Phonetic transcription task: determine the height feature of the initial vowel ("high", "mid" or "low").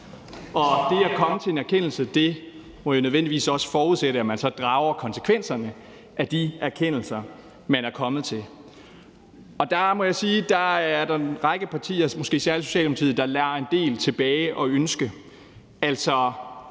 low